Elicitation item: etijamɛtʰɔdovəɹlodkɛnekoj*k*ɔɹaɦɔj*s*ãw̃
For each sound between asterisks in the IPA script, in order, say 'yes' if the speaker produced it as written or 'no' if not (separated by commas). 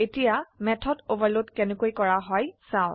yes, yes